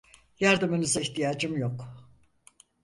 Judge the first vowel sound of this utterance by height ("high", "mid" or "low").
low